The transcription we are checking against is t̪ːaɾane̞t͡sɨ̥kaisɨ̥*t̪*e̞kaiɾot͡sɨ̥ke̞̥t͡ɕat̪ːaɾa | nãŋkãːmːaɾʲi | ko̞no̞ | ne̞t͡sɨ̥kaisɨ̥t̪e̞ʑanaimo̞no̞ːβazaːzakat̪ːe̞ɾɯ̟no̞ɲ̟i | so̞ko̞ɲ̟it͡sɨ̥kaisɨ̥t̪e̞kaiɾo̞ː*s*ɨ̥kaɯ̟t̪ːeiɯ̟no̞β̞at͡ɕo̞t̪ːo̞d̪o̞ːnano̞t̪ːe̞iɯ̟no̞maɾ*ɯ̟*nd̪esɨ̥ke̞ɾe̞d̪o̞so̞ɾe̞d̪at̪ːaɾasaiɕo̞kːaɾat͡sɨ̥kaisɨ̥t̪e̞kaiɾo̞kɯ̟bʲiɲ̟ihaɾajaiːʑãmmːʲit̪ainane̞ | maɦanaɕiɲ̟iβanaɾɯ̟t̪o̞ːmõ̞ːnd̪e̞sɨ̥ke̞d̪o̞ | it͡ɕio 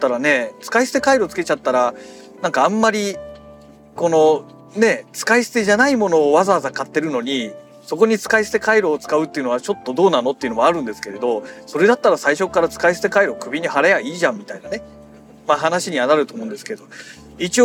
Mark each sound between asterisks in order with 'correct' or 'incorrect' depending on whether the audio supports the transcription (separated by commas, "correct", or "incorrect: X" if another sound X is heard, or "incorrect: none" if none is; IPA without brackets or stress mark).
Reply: correct, incorrect: t͡s, incorrect: ɯ̟̃